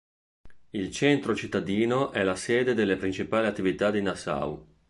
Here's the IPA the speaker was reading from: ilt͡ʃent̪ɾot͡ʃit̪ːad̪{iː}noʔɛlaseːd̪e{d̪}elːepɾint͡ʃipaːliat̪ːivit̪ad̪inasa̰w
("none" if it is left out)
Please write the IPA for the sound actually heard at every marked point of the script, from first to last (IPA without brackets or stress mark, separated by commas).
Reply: iː, d̪